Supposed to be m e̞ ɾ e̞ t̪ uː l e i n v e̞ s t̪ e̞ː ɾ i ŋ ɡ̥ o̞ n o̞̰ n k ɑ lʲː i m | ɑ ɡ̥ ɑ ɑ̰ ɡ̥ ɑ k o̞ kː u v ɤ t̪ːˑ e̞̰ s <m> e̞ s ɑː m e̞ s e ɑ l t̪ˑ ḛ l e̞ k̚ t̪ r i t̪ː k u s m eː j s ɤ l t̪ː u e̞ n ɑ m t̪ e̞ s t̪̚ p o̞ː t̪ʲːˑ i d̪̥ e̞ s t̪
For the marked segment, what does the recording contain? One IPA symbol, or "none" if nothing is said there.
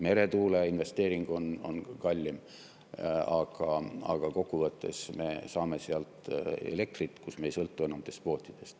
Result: m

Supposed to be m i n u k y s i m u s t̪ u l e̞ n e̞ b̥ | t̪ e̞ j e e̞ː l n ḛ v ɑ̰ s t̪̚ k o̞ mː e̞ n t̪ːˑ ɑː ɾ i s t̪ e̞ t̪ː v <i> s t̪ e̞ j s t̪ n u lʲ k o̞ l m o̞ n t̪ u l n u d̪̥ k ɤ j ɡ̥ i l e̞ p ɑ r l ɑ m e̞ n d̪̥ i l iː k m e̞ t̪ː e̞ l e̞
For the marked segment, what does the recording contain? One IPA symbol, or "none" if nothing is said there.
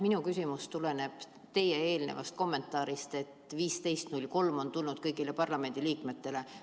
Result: iː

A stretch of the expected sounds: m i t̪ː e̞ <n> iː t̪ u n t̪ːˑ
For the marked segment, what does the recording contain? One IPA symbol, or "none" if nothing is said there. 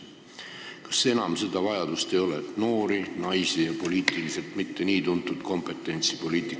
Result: n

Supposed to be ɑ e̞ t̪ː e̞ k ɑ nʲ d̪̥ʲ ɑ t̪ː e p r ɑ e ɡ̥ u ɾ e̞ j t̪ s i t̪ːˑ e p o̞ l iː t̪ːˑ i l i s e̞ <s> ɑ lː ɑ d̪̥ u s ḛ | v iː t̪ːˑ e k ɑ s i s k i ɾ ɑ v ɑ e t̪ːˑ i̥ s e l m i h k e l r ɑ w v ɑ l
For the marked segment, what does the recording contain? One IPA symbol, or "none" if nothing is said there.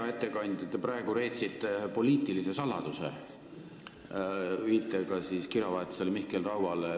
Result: s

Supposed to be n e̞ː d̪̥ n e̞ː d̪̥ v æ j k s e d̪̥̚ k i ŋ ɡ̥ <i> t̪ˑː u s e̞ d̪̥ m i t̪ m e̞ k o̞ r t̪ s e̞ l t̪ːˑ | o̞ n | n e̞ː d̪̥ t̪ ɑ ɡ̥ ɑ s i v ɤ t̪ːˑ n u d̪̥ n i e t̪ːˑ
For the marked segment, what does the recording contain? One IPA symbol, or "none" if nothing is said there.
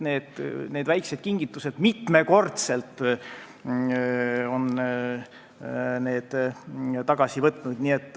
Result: i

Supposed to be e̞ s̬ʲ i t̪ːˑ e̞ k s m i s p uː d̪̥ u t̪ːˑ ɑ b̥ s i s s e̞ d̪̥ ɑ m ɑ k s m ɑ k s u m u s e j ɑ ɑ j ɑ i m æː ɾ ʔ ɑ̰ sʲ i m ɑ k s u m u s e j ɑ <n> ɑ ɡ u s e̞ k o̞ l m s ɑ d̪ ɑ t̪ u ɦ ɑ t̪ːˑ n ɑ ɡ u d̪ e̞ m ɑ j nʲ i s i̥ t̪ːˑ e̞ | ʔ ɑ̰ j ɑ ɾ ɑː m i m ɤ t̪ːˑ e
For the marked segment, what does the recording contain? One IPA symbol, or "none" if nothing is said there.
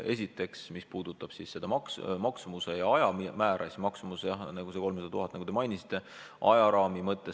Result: n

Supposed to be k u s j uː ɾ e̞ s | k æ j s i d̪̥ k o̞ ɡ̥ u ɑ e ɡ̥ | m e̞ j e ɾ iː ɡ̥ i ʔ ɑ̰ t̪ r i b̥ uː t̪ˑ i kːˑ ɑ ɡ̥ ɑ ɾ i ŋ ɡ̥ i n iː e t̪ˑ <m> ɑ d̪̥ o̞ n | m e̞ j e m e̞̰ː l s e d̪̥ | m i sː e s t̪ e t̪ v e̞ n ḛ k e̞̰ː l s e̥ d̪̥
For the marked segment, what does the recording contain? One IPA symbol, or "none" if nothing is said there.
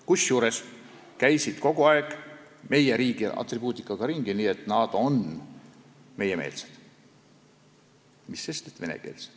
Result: n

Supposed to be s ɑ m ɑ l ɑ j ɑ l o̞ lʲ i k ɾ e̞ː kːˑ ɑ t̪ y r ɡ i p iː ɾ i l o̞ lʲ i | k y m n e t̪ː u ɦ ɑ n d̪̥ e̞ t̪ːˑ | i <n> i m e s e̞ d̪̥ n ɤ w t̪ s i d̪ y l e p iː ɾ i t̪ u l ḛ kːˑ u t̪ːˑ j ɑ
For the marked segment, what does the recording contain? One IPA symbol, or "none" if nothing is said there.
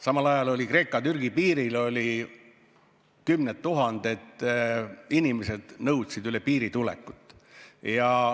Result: n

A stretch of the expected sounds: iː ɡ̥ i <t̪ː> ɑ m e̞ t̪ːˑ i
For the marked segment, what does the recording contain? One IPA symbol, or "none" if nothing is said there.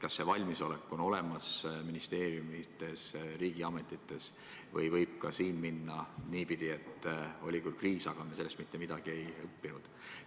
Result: none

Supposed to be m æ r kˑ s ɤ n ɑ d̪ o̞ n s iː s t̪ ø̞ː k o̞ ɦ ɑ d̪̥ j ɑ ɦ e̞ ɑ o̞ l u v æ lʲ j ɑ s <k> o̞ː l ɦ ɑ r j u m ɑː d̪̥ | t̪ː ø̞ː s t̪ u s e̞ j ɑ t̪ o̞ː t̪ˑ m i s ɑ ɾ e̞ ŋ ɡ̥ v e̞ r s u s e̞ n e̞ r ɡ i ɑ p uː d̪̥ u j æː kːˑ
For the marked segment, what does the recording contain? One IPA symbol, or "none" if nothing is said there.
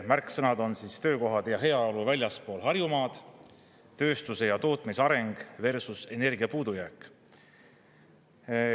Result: p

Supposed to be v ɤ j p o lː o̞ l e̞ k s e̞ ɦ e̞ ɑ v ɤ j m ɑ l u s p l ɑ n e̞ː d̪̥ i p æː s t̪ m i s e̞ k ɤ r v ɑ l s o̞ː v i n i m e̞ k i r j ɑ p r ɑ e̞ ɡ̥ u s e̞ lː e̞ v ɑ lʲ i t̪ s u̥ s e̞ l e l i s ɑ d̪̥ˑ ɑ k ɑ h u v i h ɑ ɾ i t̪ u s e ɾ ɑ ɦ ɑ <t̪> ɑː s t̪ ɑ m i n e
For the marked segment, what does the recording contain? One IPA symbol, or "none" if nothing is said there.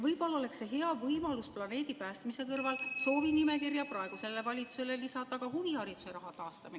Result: t̪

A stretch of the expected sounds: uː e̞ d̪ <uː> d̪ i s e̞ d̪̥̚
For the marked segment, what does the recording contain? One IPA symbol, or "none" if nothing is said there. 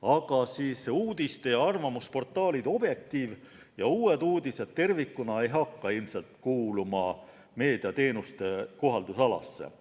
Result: uː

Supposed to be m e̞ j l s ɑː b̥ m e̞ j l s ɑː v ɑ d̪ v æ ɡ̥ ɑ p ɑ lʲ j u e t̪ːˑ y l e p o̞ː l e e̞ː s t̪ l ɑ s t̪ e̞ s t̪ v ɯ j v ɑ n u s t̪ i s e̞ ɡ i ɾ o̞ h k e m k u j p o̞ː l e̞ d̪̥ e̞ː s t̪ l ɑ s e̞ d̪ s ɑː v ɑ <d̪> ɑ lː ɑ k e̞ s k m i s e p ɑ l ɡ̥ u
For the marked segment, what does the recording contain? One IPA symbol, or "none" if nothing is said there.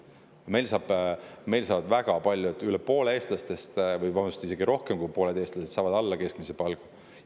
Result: d̪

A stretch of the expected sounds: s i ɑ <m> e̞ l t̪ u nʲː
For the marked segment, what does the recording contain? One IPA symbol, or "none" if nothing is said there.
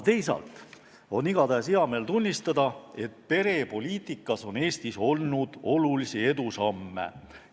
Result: m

